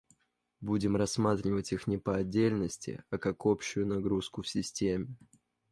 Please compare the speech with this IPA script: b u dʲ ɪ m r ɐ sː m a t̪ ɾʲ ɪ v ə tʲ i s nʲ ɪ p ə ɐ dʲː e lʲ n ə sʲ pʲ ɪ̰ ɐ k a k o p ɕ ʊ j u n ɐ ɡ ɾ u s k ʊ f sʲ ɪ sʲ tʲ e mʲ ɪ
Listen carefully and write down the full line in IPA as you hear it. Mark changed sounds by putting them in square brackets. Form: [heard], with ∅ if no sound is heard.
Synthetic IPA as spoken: b u dʲ ɪ m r ɐ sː m a t̪ ɾʲ ɪ v ə tʲ i [x] nʲ ɪ p ə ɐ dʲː e lʲ n ə sʲ [tʲ] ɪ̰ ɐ k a k o p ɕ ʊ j [ʊ] n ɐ ɡ ɾ u s k ʊ f sʲ ɪ sʲ tʲ e mʲ ɪ

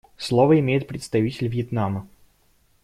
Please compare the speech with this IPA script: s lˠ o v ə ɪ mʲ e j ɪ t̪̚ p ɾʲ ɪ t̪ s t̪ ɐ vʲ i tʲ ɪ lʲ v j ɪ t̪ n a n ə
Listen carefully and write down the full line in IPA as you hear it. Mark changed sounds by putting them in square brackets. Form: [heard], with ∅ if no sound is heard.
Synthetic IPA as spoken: s lˠ o v ə ɪ mʲ e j ɪ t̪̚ p ɾʲ ɪ t̪ s t̪ ɐ vʲ i tʲ ɪ lʲ v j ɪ t̪ n a [m] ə

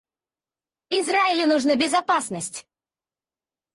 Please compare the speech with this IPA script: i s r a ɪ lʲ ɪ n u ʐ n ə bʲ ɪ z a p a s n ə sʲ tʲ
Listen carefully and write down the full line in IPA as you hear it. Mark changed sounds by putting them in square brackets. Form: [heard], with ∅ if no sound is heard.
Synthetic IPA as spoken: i [z] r a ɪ lʲ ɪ n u ʐ n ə bʲ ɪ z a p a s n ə sʲ tʲ

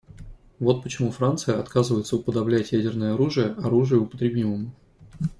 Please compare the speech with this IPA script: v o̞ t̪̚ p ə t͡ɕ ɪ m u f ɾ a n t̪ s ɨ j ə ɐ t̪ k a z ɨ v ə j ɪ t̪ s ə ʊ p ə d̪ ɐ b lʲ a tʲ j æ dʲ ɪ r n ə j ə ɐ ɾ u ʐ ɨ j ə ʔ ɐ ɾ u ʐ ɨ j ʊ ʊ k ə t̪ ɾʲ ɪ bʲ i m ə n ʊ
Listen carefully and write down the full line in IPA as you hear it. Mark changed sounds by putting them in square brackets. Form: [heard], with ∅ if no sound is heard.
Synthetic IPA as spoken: v o̞ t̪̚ p ə t͡ɕ ɪ m u f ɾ a n t̪ s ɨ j ə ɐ t̪ k a z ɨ v ə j ɪ t̪ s ə ʊ p ə d̪ ɐ b lʲ [æ] tʲ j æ dʲ ɪ r n ə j ə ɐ ɾ u ʐ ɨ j ə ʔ ɐ ɾ u ʐ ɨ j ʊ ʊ [p] ə t̪ ɾʲ ɪ bʲ i m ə [m] ʊ

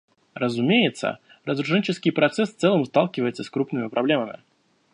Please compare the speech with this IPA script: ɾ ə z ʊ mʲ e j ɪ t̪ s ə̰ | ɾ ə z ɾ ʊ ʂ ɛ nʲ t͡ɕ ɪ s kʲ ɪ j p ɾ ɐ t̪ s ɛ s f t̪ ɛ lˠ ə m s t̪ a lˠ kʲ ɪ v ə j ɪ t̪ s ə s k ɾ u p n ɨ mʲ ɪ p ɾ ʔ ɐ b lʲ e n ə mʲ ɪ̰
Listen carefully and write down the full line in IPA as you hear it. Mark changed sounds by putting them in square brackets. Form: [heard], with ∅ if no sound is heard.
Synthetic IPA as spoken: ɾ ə z ʊ mʲ e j ɪ t̪ s ə̰ | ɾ ə z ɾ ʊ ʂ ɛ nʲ t͡ɕ ɪ s kʲ ɪ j p ɾ ɐ t̪ s ɛ s f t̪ ɛ lˠ ə m s t̪ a lˠ kʲ ɪ v ə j ɪ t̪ s ə s k ɾ u p n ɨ mʲ ɪ p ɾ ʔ ɐ b lʲ e [m] ə mʲ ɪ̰

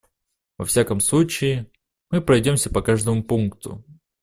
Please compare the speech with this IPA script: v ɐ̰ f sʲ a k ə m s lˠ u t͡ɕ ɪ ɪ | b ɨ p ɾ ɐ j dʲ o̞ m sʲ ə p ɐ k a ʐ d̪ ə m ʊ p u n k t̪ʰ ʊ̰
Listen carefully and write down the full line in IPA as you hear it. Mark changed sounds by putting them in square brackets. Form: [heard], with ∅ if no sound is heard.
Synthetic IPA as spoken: v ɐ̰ f sʲ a k ə m s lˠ u t͡ɕ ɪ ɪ | [m] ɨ p ɾ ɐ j dʲ o̞ m sʲ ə p ɐ k a ʐ d̪ ə m ʊ p u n k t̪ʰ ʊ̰

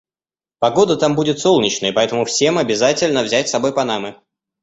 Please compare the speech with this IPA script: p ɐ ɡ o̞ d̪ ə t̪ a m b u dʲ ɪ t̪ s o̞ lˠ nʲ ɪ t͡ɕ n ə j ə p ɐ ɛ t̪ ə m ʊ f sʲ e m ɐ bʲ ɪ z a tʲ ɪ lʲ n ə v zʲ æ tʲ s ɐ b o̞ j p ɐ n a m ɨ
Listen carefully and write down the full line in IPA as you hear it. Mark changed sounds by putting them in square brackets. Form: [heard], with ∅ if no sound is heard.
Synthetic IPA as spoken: p ɐ ɡ o̞ d̪ ə t̪ a m b u dʲ ɪ t̪ s o̞ lˠ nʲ ɪ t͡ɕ n ə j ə p ɐ ɛ t̪ ə m ʊ f sʲ e m ɐ bʲ ɪ z a tʲ ɪ lʲ n ə v zʲ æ tʲ s ɐ b o̞ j p ɐ n a m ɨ

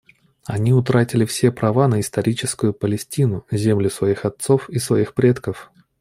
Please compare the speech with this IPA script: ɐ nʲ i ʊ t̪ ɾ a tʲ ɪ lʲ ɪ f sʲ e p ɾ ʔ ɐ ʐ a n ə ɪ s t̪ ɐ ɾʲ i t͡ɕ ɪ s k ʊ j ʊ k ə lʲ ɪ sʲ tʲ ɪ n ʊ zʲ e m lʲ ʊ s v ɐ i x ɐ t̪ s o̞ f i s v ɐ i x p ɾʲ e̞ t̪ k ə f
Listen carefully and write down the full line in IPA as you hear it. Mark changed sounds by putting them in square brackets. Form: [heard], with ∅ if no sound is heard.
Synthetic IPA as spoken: ɐ nʲ i ʊ t̪ ɾ a tʲ ɪ lʲ ɪ f sʲ e p ɾ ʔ ɐ [v] a n ə ɪ s t̪ ɐ ɾʲ i t͡ɕ ɪ s k ʊ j ʊ [p] ə lʲ ɪ sʲ tʲ [i] n ʊ zʲ e m lʲ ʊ s v ɐ i x ɐ t̪ s o̞ f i s v ɐ i x p ɾʲ e̞ t̪ k ə f

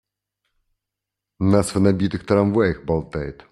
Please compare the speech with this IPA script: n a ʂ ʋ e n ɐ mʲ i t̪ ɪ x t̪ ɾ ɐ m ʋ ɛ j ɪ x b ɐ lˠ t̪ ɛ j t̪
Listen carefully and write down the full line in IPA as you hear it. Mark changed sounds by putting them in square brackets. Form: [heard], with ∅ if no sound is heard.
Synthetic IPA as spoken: n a [s] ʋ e n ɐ [bʲ] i t̪ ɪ x t̪ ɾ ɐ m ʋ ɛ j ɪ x b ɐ lˠ t̪ ɛ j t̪

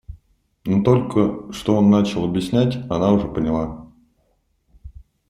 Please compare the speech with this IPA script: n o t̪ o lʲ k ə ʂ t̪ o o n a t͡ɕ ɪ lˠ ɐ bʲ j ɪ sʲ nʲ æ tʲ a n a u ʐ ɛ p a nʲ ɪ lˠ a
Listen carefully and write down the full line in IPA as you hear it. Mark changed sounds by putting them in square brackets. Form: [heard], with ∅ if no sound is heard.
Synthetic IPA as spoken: n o t̪ o lʲ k ə ʂ t̪ o o [nː] a t͡ɕ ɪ lˠ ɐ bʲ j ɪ sʲ nʲ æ tʲ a n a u ʐ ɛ p [ə] nʲ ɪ lˠ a

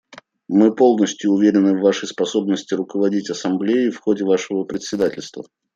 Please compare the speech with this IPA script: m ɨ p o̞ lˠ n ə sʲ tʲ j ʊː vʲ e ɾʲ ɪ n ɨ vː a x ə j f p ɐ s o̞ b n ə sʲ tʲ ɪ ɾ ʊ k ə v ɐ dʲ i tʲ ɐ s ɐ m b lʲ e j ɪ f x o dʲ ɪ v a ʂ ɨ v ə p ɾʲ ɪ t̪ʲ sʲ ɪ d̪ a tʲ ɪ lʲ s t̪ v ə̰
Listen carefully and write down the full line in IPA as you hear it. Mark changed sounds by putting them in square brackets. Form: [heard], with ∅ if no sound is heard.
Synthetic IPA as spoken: m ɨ p o̞ lˠ n ə sʲ tʲ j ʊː vʲ e ɾʲ ɪ n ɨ vː a [ʂ] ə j [s] p ɐ s o̞ b n ə sʲ tʲ ɪ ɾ ʊ k ə v ɐ dʲ i tʲ ɐ s ɐ m b lʲ e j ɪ f x o dʲ ɪ v a ʂ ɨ v ə p ɾʲ ɪ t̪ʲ sʲ ɪ d̪ a tʲ ɪ lʲ s t̪ v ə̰

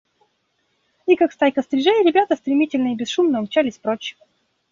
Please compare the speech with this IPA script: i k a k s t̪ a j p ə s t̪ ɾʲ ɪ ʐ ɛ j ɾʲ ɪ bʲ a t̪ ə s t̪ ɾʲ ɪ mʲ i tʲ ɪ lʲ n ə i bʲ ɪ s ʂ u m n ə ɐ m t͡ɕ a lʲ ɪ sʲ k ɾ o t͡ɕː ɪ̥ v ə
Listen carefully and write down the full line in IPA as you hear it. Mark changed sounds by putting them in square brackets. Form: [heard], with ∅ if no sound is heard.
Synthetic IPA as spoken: i k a k s t̪ a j [k] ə s t̪ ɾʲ ɪ ʐ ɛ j ɾʲ ɪ bʲ a t̪ ə s t̪ ɾʲ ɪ mʲ i tʲ ɪ lʲ n ə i bʲ ɪ s ʂ u m n ə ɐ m t͡ɕ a lʲ ɪ sʲ [p] ɾ o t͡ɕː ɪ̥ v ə

